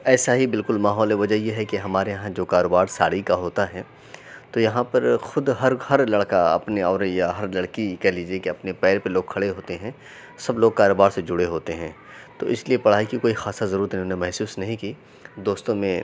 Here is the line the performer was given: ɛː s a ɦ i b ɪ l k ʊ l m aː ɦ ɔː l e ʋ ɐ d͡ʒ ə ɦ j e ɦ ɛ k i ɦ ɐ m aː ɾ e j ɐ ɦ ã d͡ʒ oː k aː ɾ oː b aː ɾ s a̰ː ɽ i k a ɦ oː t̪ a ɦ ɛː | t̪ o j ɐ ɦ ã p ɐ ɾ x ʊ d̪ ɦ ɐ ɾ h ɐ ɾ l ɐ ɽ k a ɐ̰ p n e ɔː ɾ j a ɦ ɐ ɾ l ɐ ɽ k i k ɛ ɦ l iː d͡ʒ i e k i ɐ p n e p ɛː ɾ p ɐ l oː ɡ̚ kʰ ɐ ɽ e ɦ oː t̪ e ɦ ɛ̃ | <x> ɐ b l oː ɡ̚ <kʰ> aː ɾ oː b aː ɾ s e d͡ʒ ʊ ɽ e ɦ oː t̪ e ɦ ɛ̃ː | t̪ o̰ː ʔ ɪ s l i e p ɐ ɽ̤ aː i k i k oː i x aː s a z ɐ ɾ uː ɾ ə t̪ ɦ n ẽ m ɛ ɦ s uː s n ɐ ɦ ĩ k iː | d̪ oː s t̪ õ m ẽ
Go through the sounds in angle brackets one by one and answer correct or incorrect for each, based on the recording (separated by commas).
incorrect, incorrect